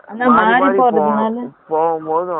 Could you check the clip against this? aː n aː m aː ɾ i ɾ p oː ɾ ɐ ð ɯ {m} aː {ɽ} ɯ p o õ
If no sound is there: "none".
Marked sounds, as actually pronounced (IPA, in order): n, l

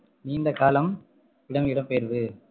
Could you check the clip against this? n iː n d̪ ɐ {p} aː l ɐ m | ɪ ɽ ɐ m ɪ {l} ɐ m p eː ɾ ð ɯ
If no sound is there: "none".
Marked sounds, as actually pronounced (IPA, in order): k, ɽ

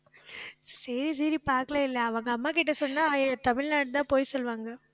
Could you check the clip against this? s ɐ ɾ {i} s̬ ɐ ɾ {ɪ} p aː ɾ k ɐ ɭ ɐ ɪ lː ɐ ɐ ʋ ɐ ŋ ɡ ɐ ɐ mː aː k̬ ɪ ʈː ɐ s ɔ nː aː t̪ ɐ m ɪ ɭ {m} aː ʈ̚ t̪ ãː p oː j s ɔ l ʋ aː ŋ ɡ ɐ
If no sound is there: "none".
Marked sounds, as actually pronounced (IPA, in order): i, i, n

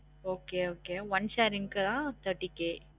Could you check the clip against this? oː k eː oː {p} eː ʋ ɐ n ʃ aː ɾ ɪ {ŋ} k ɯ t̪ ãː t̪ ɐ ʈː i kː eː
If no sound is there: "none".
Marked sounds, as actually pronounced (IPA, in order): k, ŋ

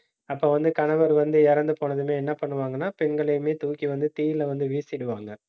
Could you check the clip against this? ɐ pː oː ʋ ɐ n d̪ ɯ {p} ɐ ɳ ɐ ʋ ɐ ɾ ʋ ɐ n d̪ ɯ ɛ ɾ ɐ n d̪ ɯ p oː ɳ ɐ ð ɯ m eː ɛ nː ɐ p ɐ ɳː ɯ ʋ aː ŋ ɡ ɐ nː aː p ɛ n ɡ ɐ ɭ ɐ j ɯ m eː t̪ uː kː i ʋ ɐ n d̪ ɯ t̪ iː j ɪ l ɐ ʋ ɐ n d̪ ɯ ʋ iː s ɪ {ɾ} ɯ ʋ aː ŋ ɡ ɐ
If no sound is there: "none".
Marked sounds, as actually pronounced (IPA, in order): k, ɽ

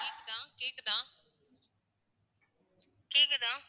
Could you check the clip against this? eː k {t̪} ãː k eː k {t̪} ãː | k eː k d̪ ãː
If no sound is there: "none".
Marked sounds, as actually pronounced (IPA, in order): d̪, d̪

